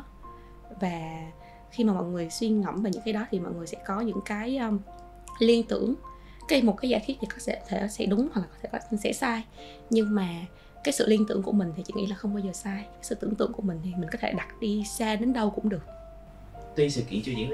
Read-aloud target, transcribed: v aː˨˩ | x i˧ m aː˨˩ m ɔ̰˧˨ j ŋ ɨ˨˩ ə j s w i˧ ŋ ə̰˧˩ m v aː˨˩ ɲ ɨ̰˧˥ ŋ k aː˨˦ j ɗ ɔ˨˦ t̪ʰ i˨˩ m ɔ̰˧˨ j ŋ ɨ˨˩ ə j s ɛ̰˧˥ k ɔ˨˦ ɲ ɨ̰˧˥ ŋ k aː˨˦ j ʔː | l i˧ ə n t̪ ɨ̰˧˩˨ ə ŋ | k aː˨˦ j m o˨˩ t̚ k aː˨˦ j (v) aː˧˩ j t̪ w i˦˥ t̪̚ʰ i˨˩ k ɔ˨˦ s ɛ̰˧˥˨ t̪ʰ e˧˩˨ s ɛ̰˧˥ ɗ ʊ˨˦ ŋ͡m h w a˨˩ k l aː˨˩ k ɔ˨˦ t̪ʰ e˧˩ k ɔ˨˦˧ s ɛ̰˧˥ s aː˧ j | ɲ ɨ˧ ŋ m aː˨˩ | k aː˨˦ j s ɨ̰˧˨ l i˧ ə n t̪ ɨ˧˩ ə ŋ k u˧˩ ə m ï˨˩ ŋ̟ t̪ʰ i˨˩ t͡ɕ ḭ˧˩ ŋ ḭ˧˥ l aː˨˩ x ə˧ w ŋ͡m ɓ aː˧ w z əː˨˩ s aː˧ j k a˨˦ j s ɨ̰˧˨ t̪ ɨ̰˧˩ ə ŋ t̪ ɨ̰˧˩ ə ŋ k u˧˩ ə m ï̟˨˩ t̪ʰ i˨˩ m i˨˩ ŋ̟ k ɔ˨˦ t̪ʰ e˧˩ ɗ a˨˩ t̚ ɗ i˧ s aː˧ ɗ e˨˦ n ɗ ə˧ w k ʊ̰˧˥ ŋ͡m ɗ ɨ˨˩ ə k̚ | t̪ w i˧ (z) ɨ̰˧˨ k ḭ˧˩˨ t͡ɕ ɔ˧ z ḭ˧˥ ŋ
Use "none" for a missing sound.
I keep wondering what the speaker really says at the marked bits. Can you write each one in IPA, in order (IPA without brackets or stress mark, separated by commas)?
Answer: z, s